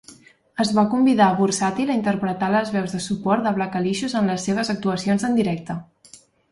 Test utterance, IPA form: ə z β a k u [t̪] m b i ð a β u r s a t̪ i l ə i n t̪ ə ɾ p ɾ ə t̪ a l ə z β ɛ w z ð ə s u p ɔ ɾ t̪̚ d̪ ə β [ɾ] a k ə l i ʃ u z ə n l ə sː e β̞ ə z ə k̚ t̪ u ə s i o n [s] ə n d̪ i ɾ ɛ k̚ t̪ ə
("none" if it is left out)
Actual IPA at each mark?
none, l, z

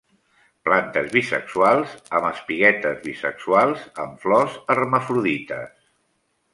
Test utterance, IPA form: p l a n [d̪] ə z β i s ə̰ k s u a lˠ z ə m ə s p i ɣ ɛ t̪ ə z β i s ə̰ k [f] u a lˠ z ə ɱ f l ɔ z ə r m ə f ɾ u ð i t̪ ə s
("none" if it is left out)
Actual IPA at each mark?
t̪, s

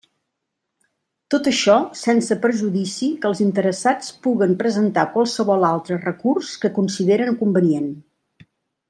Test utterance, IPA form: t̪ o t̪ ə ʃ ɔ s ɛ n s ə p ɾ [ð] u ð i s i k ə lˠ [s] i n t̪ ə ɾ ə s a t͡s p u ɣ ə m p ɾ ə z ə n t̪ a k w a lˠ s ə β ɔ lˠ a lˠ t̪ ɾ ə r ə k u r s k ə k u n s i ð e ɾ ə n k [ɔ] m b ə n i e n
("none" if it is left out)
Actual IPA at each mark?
ʒ, z, u

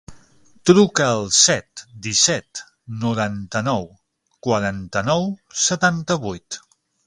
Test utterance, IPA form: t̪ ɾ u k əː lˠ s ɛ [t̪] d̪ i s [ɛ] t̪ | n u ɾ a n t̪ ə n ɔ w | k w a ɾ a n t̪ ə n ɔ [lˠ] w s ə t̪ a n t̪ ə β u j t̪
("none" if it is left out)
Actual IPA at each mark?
t̪, ɛ, none

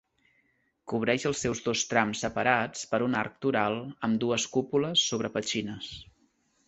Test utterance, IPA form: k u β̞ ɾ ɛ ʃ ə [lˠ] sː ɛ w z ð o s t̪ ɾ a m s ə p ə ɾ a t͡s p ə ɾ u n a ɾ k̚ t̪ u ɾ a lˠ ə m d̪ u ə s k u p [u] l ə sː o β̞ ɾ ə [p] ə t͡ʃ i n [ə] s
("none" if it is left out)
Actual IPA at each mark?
lˠ, u, p, ə

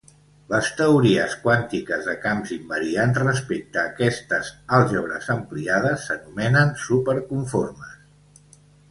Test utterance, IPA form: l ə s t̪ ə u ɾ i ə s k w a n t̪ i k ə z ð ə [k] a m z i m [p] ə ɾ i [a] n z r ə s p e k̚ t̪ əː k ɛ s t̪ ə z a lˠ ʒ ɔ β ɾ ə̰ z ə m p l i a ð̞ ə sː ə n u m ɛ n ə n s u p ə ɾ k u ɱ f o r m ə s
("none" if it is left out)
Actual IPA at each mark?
k, b, a

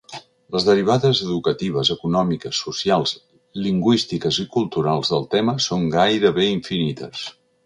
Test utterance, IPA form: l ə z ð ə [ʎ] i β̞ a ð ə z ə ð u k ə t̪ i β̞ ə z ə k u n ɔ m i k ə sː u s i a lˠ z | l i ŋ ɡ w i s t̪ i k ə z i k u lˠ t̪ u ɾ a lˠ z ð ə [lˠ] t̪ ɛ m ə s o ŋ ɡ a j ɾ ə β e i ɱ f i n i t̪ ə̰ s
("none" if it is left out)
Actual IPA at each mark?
ɾ, lˠ

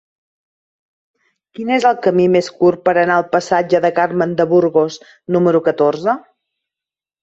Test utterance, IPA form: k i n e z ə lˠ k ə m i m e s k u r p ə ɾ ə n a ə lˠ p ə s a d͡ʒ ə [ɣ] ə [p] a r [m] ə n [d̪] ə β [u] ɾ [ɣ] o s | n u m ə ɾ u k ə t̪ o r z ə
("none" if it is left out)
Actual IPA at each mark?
ð, k, m, d̪, u, ɣ

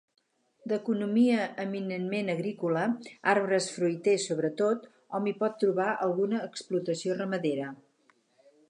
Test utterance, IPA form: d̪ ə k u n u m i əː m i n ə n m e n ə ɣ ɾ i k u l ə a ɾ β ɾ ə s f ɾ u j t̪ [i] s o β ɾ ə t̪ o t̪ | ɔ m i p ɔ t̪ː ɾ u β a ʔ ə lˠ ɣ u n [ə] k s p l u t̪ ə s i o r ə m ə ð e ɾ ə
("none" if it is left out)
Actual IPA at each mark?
e, əː

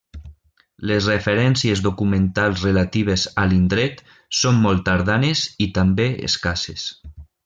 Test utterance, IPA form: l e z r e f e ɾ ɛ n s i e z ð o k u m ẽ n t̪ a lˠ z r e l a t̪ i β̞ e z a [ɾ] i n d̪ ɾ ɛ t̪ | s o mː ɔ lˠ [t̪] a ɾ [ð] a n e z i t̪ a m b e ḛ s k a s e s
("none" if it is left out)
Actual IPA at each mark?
l, t̪, ð

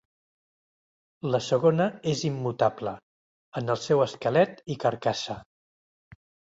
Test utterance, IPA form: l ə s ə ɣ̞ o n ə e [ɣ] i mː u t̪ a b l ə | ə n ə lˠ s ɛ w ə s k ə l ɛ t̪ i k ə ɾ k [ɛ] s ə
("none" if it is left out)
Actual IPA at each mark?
z, a

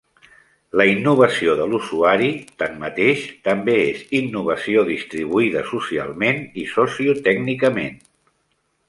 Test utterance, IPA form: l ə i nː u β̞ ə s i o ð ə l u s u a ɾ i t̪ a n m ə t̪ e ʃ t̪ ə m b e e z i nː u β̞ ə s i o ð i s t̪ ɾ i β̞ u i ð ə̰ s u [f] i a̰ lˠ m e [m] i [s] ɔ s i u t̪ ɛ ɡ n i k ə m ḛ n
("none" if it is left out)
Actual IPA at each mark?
s, n, s

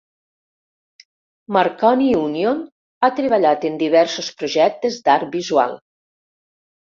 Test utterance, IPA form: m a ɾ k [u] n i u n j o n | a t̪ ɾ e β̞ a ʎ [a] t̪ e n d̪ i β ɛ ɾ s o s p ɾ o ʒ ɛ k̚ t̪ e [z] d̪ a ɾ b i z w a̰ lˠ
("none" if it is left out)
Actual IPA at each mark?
ɔ, a, z

